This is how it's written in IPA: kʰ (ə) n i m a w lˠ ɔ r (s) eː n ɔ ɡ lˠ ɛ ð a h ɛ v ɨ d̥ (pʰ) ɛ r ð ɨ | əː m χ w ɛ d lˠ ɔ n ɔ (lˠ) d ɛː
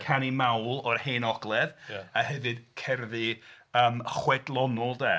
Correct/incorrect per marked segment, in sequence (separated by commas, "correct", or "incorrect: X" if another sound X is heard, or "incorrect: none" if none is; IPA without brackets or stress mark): incorrect: a, incorrect: h, incorrect: kʰ, correct